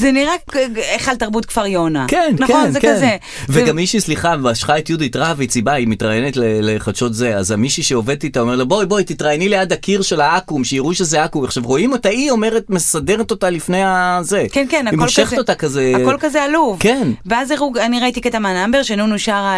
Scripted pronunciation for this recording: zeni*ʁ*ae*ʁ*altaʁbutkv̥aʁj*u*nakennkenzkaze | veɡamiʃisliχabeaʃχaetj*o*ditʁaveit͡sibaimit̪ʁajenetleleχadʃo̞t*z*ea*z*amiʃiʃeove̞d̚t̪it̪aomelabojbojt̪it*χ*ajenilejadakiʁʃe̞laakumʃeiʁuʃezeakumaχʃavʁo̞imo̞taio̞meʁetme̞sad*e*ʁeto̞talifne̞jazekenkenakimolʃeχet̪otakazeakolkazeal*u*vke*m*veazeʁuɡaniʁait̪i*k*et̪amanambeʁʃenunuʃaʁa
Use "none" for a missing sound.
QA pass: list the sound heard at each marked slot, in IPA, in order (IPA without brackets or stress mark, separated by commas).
ʁ, χ, o, u, z, z, ʁ, e, u, n, k